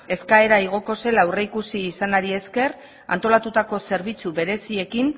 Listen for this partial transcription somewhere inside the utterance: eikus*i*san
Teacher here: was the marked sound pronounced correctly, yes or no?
no